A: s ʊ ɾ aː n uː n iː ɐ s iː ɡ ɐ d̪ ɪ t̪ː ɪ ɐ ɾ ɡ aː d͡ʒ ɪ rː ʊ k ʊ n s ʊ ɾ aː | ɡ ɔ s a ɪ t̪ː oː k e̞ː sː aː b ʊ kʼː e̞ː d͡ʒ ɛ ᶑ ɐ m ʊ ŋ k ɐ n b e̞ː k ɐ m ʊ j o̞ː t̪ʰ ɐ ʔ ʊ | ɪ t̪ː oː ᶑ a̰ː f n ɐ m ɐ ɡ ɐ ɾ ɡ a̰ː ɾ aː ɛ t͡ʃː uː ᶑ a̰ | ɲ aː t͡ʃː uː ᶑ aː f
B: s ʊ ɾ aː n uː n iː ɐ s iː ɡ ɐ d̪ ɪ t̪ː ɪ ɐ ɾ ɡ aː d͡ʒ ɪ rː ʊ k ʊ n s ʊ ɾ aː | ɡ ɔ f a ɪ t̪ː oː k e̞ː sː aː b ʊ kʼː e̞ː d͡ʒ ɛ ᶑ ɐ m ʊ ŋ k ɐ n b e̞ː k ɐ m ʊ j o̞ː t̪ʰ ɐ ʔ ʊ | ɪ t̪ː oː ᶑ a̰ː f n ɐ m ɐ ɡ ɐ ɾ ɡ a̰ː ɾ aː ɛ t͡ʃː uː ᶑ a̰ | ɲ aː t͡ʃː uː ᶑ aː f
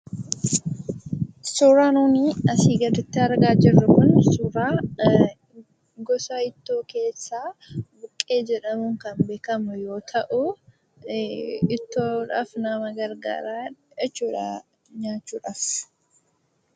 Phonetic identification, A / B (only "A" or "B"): A